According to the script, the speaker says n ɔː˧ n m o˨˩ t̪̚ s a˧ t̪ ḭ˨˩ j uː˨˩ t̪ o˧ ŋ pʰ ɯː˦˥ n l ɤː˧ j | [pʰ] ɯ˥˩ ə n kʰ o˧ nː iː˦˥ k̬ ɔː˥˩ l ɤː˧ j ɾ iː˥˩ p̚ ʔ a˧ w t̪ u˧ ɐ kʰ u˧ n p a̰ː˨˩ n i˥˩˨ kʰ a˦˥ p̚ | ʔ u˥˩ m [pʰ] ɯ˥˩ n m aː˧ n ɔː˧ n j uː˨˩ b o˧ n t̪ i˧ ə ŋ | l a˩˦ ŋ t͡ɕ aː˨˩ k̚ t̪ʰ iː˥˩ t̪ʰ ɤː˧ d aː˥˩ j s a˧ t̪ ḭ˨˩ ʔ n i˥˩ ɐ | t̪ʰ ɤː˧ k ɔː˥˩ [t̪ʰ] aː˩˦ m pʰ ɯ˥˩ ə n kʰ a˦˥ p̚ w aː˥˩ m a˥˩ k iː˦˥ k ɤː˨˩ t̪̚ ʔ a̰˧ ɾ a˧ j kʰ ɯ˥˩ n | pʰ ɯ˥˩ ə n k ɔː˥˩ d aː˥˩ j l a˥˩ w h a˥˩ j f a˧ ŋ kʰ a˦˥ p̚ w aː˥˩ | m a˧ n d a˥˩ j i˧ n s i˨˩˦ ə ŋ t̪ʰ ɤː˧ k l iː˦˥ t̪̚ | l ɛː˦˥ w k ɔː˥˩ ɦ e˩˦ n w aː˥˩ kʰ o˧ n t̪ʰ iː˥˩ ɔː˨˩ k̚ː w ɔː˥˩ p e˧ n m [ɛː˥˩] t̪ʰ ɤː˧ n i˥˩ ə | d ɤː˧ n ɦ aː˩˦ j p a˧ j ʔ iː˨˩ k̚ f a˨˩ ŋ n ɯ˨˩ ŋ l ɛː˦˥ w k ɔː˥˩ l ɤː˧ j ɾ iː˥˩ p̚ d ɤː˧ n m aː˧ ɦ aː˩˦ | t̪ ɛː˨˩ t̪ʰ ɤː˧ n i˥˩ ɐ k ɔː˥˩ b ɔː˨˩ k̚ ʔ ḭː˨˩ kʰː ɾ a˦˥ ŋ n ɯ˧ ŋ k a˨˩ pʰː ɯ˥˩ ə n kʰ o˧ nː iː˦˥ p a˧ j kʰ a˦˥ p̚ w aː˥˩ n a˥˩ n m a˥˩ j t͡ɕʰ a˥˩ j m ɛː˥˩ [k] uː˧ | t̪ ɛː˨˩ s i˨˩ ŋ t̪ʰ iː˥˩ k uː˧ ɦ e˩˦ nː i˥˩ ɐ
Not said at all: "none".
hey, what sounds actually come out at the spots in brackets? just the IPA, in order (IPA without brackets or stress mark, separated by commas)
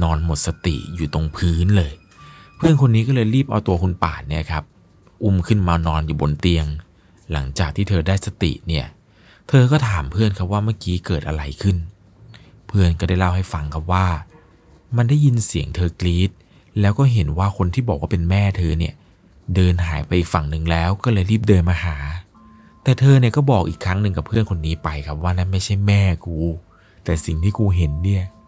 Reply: pʰ, kʰ, t̪ʰ, ɛː˥˩, k